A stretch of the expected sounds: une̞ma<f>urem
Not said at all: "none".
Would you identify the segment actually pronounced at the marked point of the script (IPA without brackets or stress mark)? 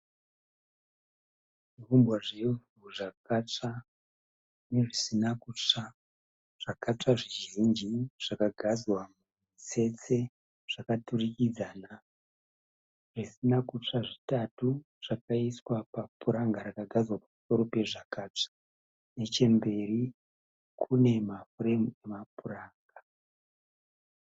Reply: f